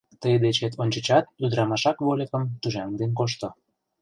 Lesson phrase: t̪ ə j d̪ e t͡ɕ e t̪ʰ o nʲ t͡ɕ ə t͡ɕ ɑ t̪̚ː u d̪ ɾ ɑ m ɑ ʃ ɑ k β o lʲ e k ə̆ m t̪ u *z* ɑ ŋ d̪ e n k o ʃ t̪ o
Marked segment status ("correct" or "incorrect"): incorrect